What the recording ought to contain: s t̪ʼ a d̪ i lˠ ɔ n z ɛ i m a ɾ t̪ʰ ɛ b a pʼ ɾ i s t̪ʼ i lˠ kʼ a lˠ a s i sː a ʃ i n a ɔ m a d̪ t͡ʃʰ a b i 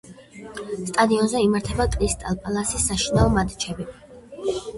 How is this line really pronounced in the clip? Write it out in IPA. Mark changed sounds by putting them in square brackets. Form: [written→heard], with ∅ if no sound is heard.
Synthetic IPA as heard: s t̪ʼ a d̪ i [lˠ→∅] ɔ n z ɛ i m a ɾ t̪ʰ ɛ b a [pʼ→kʼ] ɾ i s t̪ʼ [i→a] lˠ [kʼ→pʼ] a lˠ a s i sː a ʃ i n a ɔ m a d̪ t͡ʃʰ [a→ɛ] b i